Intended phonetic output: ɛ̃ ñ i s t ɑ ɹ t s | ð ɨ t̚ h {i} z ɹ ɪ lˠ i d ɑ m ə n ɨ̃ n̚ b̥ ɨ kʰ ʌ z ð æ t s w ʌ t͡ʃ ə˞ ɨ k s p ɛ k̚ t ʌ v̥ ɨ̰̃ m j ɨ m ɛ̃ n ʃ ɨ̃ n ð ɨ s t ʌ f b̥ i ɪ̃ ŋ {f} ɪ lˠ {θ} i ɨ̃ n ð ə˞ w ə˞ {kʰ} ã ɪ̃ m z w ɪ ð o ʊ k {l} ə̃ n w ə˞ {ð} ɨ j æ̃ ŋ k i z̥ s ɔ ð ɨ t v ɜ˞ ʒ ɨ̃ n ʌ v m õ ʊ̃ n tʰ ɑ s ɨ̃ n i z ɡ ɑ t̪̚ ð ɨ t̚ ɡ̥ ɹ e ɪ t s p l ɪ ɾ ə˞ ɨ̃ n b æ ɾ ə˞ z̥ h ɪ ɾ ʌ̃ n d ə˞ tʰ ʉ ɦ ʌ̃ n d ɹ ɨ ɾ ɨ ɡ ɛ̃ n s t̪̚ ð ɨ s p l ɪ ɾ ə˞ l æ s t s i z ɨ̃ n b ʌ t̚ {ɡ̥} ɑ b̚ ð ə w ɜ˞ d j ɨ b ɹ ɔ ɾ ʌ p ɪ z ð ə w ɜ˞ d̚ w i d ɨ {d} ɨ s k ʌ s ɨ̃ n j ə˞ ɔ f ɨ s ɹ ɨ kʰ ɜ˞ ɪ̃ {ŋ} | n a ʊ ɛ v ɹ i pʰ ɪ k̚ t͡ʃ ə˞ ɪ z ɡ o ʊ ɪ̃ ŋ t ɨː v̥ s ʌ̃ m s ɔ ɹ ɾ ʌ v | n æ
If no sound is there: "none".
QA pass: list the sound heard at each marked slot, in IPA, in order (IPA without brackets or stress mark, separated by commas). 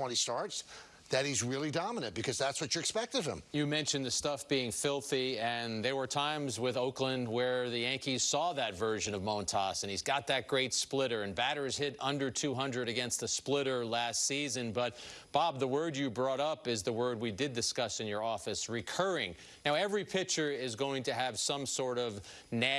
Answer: i, f, θ, tʰ, l, ð, b̥, d, ŋ